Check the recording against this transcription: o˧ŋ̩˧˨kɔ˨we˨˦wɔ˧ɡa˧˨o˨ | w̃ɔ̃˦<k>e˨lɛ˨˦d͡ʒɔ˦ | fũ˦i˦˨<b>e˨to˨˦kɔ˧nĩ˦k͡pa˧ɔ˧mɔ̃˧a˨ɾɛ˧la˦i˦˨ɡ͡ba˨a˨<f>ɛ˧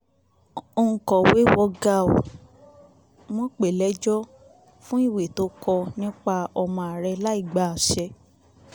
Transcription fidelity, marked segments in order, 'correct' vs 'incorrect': incorrect: k͡p, incorrect: w, incorrect: ʃ

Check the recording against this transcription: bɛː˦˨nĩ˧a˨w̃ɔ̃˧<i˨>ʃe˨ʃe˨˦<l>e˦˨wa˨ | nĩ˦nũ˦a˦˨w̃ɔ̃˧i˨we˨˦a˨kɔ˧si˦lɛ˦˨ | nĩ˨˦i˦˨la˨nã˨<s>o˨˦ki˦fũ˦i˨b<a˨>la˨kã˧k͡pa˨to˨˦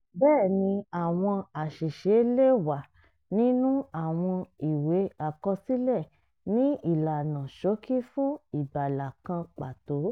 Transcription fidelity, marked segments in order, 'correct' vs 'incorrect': incorrect: a˨, correct, incorrect: ʃ, correct

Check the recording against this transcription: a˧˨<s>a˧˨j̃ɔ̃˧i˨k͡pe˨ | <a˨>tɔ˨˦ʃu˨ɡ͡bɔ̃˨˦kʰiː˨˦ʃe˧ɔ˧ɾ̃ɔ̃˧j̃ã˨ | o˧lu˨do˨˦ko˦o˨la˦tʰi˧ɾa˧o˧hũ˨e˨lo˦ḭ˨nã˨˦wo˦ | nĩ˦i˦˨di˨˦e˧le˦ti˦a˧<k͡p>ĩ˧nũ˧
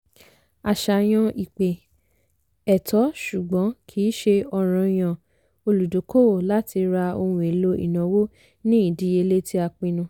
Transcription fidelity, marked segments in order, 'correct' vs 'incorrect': incorrect: ʃ, incorrect: ɛ˨, correct

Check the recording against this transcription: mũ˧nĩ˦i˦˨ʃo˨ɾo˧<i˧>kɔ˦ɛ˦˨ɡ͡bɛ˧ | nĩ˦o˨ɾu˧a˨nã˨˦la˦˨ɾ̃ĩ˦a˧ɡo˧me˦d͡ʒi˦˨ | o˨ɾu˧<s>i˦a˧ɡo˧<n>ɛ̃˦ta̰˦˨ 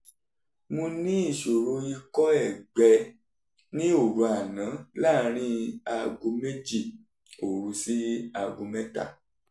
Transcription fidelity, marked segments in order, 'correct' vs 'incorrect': correct, correct, incorrect: m

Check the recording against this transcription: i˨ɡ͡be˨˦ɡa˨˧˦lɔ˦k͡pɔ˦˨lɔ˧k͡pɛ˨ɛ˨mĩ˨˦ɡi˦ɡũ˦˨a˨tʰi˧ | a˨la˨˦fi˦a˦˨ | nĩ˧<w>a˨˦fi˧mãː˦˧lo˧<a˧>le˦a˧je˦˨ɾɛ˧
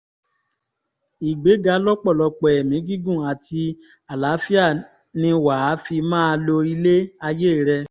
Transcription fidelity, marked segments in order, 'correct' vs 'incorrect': correct, incorrect: i˧

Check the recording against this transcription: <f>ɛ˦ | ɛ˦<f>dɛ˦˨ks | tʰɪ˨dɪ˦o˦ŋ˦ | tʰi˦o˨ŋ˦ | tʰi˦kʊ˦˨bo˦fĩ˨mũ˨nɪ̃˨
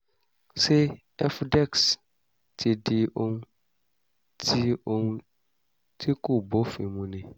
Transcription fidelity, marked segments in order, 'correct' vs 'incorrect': incorrect: s, correct

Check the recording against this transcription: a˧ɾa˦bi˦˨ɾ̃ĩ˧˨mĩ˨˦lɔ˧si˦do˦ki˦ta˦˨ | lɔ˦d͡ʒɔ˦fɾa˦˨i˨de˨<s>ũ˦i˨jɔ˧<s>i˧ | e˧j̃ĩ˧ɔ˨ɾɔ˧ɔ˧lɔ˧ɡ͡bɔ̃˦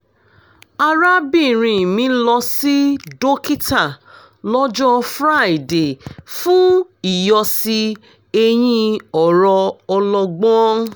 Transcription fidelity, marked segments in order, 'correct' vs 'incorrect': incorrect: f, correct

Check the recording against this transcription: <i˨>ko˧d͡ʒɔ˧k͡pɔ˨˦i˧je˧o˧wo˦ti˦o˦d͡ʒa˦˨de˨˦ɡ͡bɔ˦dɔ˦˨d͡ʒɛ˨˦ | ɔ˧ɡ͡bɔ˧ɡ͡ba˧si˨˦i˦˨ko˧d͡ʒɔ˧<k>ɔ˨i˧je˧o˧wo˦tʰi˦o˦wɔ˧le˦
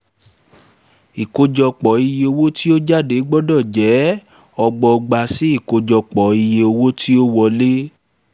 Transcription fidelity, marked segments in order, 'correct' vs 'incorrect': correct, incorrect: k͡p

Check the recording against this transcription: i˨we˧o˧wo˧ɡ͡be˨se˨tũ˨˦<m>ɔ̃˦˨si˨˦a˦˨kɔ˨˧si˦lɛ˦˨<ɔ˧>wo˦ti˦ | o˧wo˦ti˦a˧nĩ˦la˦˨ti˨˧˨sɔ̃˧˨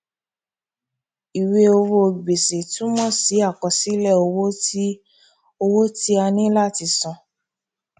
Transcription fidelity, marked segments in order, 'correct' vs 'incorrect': correct, incorrect: o˧

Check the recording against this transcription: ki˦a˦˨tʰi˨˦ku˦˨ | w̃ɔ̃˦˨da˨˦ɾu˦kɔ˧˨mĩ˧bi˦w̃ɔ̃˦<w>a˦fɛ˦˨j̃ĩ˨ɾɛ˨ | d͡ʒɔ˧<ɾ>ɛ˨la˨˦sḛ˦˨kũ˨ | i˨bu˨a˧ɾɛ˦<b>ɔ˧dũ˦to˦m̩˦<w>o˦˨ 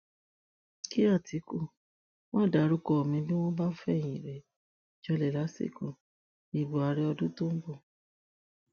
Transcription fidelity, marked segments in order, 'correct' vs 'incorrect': incorrect: b, incorrect: l, incorrect: none, incorrect: b

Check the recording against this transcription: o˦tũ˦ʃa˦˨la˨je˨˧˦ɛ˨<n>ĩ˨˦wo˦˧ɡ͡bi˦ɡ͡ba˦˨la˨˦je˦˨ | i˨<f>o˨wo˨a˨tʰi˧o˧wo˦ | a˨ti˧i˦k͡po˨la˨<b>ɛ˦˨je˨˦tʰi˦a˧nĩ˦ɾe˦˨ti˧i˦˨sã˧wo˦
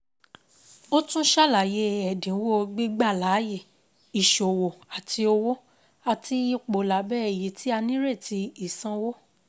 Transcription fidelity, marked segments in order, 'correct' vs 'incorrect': incorrect: d, incorrect: ʃ, correct

